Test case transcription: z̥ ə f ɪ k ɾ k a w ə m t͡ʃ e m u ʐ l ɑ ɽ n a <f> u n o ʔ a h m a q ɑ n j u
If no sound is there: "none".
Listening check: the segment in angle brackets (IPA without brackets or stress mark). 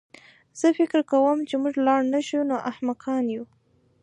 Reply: ʃ